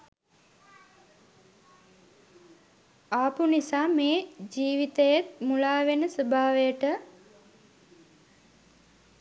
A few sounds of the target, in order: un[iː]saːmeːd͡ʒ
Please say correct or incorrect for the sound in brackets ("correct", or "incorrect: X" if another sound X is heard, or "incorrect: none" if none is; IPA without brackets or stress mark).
incorrect: i